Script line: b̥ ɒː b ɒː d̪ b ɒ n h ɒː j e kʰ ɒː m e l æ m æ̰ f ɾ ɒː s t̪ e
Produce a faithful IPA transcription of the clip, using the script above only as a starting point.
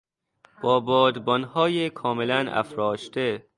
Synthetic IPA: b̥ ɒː b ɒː d̪ b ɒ n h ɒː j e kʰ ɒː m e l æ n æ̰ f ɾ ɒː ʃ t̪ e